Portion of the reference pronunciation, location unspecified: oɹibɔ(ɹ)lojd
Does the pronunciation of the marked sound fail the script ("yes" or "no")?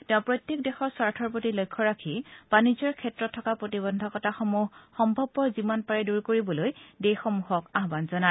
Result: yes